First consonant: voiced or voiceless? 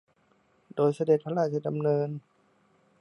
voiced